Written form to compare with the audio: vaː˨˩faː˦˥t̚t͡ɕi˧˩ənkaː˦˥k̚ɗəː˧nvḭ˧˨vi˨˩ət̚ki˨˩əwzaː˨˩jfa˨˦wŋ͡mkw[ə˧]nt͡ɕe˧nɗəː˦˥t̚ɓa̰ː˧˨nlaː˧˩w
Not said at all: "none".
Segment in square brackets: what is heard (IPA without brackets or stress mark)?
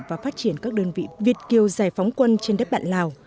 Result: ə˧